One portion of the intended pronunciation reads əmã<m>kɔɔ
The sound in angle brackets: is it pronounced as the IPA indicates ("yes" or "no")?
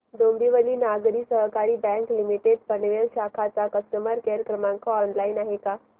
no